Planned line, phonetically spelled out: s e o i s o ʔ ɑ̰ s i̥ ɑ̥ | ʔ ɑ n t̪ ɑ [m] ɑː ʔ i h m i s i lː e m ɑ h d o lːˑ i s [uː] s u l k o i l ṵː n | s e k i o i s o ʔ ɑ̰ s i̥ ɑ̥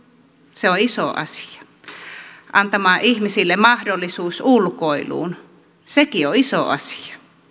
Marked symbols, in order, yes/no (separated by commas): yes, yes